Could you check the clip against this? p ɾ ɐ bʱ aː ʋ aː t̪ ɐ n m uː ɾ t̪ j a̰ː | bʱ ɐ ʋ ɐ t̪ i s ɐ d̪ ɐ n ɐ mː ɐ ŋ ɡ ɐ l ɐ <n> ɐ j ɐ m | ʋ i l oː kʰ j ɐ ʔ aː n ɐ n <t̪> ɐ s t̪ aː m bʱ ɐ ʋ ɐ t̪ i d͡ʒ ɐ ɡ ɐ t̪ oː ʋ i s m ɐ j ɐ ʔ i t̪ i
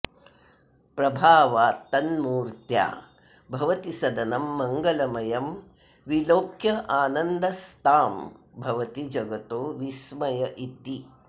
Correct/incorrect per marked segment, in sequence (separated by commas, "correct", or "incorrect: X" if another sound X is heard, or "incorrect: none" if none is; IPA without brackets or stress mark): incorrect: m, incorrect: d̪